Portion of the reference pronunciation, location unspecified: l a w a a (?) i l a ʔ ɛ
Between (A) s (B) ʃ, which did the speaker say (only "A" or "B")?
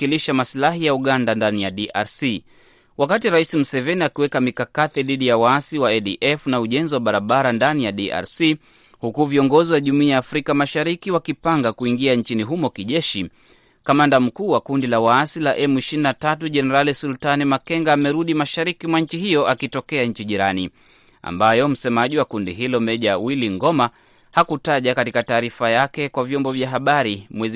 A